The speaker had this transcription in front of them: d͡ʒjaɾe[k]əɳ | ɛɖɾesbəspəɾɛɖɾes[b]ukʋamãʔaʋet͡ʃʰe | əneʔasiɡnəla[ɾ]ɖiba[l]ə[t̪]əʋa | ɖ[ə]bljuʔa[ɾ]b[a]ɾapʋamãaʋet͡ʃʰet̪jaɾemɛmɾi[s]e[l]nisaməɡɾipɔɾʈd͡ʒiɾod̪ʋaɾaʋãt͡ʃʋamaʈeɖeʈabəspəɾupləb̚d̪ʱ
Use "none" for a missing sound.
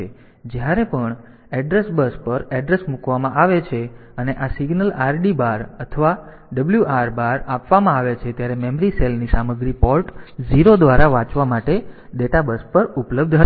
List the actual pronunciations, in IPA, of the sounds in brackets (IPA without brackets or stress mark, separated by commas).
p, m, ɾ, ɾ, t̪ʰ, ə, ɾ, a, s, l